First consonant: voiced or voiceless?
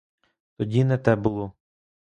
voiceless